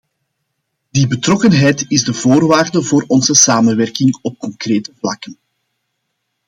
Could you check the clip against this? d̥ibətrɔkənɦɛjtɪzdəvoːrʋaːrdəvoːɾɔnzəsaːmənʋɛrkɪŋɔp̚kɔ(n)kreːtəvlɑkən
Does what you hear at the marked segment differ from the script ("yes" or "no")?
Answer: yes